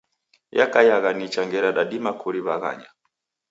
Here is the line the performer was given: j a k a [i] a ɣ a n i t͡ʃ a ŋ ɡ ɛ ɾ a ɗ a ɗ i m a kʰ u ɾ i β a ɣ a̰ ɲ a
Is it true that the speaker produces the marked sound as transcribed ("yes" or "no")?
no